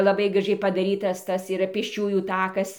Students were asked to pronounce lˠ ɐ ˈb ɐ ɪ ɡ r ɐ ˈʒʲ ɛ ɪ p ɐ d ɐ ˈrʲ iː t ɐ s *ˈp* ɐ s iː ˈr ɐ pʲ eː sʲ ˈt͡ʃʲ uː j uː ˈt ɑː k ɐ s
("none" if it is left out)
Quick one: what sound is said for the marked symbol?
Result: t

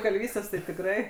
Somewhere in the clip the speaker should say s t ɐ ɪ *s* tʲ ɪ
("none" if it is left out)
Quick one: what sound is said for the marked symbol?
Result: none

